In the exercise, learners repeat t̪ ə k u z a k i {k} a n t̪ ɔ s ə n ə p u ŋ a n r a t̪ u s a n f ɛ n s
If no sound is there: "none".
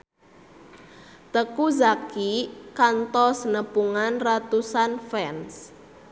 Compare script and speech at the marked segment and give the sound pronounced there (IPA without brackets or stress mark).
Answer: k